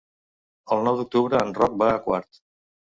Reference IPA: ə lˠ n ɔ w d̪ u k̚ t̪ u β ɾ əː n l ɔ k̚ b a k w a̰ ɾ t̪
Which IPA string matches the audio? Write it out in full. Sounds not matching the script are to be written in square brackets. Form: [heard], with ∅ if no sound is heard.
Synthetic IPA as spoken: ə lˠ n ɔ w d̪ u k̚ t̪ u β ɾ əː n [r] ɔ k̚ b a k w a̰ ɾ t̪